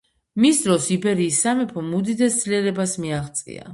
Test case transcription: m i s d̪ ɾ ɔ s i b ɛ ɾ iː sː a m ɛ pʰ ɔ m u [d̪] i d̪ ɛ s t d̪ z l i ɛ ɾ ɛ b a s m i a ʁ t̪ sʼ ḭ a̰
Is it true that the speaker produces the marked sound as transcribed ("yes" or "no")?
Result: yes